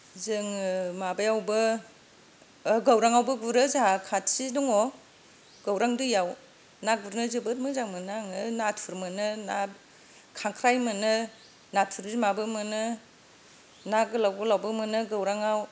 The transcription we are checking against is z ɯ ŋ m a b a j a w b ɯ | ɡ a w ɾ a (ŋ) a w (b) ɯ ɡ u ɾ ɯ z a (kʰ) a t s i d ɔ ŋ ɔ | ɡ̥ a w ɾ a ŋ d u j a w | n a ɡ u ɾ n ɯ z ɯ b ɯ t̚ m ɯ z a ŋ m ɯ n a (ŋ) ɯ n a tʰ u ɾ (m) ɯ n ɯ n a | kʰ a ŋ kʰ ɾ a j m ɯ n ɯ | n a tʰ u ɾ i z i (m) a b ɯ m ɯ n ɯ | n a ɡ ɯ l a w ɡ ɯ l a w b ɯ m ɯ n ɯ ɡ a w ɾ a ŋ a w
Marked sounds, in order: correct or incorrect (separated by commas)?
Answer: correct, correct, correct, correct, correct, correct